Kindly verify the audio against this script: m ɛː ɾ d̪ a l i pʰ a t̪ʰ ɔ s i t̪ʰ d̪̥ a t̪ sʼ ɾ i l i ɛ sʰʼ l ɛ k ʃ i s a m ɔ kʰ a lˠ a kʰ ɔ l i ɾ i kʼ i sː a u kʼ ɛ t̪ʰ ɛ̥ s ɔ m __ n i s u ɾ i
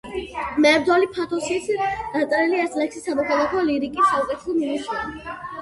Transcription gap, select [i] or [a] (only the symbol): i